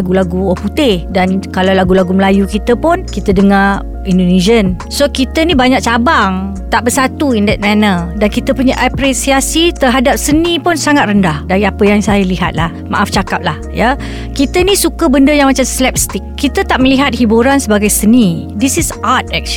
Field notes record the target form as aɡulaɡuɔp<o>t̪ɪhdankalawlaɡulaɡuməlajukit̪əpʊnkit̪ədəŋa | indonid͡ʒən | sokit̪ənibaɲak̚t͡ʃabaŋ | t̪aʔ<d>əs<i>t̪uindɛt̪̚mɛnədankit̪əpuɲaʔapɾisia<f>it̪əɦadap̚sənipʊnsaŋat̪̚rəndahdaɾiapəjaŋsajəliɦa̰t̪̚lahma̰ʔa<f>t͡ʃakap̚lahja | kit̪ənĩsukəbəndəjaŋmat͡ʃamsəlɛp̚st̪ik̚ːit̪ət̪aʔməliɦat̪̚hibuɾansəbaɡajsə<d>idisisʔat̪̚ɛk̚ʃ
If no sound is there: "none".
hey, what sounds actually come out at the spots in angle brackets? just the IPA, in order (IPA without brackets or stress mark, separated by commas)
u, b, a, s, f, n